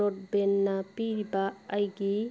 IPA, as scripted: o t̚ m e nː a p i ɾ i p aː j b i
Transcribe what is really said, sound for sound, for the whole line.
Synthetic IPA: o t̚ b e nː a p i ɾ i b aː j ɡ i

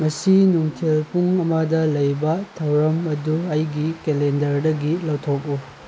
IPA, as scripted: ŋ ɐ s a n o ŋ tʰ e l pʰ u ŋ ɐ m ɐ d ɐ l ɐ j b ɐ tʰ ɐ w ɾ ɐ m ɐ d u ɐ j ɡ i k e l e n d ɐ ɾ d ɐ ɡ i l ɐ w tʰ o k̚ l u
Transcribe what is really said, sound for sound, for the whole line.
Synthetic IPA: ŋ ɐ s i n u ŋ tʰ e l p u ŋ ɐ m ɐ d ɐ l ɐ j b ɐ tʰ ɐ w ɾ ɐ m ɐ d u ɐ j ɡ i k e l e n d ɐ ɾ d ɐ ɡ i l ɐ w tʰ o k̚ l u

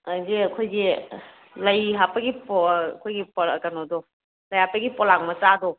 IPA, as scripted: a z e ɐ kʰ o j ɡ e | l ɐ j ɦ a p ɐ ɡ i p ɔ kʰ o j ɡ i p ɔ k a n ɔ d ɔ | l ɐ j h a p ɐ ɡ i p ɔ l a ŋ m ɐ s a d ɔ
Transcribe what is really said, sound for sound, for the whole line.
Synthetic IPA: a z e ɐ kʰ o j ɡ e | l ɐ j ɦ a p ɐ ɡ i p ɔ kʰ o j ɡ i p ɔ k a n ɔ d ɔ | l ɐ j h a p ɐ ɡ i p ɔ l a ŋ m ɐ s a d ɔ

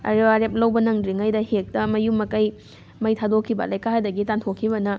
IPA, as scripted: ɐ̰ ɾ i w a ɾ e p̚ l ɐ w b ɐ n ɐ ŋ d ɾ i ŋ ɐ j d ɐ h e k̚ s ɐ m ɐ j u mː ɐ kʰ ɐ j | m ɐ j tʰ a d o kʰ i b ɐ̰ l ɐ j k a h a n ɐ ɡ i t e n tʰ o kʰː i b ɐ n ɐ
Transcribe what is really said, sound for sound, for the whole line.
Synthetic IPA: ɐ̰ ɾ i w a ɾ e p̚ l ɐ w b ɐ n ɐ ŋ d ɾ i ŋ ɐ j d ɐ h e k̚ t ɐ m ɐ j u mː ɐ k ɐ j | m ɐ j tʰ a d o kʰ i b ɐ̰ l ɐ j k a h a d ɐ ɡ i t a n tʰ o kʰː i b ɐ n ɐ

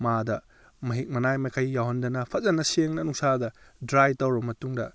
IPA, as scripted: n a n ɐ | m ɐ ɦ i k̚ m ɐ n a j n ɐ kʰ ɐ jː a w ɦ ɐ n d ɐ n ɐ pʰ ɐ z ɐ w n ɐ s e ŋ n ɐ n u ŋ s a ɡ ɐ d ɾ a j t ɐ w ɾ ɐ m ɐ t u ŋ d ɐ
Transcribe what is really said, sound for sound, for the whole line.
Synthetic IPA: m a d ɐ | m ɐ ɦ i k̚ m ɐ n a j m ɐ kʰ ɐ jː a w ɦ ɐ n d ɐ n ɐ pʰ ɐ z ɐ n ɐ s e ŋ n ɐ n u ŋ s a d ɐ d ɾ a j t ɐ w ɾ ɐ m ɐ t u ŋ d ɐ

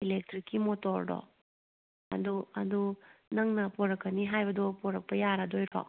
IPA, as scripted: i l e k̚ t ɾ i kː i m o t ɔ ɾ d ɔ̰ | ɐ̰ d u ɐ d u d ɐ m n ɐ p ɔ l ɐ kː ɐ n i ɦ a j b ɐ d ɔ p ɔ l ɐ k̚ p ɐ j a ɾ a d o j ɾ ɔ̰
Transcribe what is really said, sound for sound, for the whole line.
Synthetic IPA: i l e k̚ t ɾ i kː i m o t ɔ ɾ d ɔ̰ | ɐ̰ d u ɐ d u n ɐ ŋ n ɐ p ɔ ɾ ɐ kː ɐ n i ɦ a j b ɐ d ɔ p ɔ ɾ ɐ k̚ p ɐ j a ɾ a d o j ɾ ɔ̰

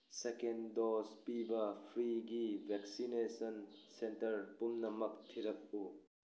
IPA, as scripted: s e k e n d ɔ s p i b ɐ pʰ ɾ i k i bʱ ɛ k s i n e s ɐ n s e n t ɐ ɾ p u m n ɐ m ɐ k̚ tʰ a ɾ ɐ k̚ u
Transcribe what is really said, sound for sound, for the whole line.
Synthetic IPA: s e k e n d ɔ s p i b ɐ pʰ ɾ i ɡ i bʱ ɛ k s i n e s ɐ n s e n t ɐ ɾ p u m n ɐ m ɐ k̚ tʰ i ɾ ɐ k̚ u

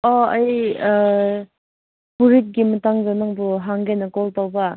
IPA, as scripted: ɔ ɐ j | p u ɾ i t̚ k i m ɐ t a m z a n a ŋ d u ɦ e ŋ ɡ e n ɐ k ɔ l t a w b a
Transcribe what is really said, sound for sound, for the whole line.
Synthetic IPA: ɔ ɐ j | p u ɾ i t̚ ɡ i m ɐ t a ŋ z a n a ŋ b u ɦ a ŋ ɡ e n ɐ k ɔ l t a w b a

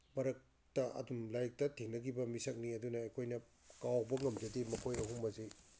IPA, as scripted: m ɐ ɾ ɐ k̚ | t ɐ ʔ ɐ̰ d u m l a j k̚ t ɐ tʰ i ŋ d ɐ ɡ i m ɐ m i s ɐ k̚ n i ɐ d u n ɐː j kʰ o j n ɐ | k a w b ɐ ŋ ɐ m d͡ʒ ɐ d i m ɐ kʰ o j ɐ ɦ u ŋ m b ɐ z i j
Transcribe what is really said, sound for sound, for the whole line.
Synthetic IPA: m ɐ ɾ ɐ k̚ | t ɐ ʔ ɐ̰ d u m l a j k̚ t ɐ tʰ i ŋ n ɐ ɡ i b ɐ m i s ɐ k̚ n i ɐ d u n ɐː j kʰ o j n ɐ | k a w b ɐ ŋ ɐ m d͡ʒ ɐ d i m ɐ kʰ o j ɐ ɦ u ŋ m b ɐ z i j

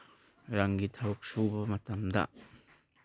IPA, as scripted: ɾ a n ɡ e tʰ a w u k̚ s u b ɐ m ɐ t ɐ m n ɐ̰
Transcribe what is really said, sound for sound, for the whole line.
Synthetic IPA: ɾ a ŋ ɡ i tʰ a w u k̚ s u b ɐ m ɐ t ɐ m d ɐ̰

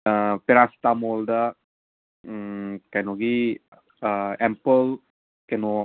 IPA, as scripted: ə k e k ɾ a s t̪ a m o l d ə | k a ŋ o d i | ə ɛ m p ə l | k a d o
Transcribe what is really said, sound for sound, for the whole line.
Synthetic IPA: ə p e ɾ a s t̪ a m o l d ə | k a n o ɡ i | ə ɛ m p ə l | k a n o

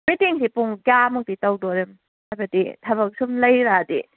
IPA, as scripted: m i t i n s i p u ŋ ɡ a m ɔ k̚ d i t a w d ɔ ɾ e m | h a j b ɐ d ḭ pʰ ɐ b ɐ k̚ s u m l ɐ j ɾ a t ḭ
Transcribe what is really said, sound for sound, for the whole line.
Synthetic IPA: m i t i ŋ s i p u ŋ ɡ a m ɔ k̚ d i t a w d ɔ ɾ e m | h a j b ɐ d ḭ tʰ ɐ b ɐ k̚ s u m l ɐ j ɾ a d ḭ

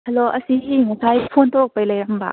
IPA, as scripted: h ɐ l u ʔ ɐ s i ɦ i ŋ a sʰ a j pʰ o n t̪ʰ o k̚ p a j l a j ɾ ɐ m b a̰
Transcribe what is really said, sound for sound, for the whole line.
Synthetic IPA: h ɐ l o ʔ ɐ s i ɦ i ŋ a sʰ a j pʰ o n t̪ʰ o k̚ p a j l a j ɾ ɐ m b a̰

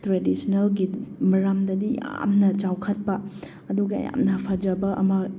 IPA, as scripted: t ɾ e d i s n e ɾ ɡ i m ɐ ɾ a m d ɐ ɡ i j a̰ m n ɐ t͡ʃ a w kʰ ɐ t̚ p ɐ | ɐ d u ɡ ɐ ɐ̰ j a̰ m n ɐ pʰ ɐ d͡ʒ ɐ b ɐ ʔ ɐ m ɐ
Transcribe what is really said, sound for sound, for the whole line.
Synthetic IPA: t ɾ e d i s n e l ɡ i m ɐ ɾ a m d ɐ d i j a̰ m n ɐ t͡ʃ a w kʰ ɐ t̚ p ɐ | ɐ d u ɡ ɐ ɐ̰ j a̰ m n ɐ pʰ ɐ d͡ʒ ɐ b ɐ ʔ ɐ m ɐ

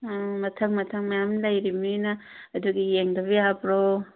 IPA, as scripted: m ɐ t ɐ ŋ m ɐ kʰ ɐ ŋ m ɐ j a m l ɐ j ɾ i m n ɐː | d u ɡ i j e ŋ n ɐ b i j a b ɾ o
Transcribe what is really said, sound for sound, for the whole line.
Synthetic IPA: m ɐ tʰ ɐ ŋ m ɐ tʰ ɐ ŋ m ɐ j a m l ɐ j ɾ i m n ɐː | d u ɡ i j e ŋ d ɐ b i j a b ɾ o

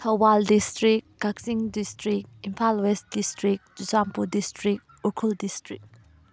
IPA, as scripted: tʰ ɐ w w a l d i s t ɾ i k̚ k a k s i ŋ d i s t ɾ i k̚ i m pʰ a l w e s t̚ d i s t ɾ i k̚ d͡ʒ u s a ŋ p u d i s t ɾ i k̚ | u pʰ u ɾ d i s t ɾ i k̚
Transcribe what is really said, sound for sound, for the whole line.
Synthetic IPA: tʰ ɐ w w a l d i s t ɾ i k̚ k a k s i ŋ d i s t ɾ i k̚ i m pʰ a l w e s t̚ d i s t ɾ i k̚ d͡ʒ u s a m p u d i s t ɾ i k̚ | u kʰ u l d i s t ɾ i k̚

